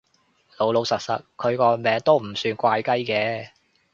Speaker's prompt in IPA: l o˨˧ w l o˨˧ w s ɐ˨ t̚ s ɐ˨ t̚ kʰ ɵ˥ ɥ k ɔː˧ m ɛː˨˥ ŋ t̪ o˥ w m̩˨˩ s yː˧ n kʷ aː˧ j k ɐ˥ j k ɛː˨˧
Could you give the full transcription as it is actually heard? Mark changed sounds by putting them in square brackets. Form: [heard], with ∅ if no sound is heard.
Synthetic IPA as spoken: l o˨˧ w l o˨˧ w s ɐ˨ t̚ s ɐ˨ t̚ kʰ [ɵ˨˧] ɥ k ɔː˧ m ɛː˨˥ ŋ t̪ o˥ w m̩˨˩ s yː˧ n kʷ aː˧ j k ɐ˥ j k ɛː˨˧